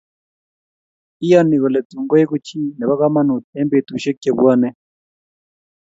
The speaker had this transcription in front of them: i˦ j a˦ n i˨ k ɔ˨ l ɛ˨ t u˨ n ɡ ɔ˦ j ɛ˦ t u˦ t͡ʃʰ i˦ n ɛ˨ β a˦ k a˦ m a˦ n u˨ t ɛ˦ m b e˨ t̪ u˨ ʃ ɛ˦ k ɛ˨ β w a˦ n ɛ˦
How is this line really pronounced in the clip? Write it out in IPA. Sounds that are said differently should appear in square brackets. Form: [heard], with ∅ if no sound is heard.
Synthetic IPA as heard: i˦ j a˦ n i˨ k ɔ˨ l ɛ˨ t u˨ [ŋ] ɡ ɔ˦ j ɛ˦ [k] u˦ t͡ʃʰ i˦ n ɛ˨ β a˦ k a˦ m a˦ n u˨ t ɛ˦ m b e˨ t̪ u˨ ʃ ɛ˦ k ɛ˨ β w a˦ n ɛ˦